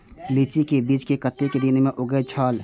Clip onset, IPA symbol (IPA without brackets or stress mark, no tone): l